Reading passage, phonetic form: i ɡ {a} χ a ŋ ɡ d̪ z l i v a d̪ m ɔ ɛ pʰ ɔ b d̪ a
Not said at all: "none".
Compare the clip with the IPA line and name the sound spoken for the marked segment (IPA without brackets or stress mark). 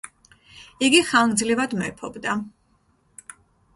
i